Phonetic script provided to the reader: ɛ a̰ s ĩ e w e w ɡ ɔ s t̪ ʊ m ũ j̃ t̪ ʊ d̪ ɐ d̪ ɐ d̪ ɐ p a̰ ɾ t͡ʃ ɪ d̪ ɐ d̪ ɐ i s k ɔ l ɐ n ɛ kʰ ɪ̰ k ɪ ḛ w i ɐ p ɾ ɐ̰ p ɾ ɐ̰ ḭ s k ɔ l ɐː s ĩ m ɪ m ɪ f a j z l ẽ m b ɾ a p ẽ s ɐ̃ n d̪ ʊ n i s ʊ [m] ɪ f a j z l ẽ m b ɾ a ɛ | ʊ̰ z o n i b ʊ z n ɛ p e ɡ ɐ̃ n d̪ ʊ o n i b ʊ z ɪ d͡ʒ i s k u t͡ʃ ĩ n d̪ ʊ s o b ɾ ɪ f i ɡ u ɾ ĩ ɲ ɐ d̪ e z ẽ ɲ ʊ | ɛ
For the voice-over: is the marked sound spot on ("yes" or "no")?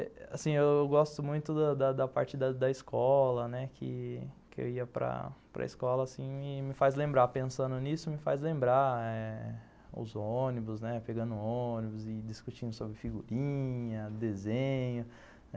yes